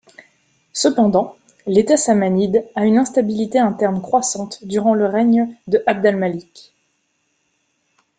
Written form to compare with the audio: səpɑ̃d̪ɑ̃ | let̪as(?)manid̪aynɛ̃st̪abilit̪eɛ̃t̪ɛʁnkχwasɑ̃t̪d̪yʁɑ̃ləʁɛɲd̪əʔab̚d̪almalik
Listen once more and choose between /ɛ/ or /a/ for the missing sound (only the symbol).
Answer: a